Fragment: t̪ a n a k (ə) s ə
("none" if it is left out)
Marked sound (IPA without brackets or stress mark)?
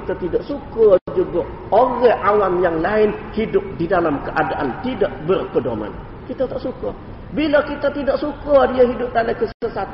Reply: ə